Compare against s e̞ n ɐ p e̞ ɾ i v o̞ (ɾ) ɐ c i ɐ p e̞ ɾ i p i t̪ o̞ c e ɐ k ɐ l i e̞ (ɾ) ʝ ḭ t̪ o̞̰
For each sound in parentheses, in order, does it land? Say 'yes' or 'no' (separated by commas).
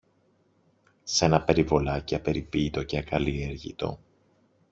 no, yes